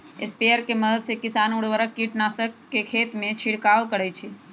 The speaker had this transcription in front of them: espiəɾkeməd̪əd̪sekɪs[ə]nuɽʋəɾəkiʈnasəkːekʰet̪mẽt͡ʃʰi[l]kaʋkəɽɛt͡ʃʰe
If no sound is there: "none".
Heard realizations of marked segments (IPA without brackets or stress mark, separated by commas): a, ɽ